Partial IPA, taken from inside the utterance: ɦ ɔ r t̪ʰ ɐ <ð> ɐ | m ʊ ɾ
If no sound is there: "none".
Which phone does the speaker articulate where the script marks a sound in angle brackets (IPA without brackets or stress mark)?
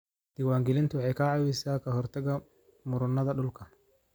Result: ɣ